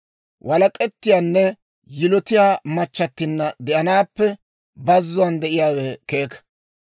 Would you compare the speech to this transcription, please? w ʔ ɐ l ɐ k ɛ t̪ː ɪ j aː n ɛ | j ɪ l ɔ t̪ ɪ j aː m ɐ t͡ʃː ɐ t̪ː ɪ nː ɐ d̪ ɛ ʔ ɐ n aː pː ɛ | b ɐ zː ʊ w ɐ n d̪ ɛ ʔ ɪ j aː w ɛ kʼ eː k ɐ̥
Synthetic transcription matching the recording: w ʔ ɐ l ɐ kʼ ɛ t̪ː ɪ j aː nː ɛ | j ɪ l ɔ t̪ ɪ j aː m ɐ t͡ʃː ɐ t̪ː ɪ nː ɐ d̪ ɛ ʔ ɐ n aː pː ɛ | b ɐ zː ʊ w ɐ n d̪ ɛ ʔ ɪ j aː w ɛ k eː k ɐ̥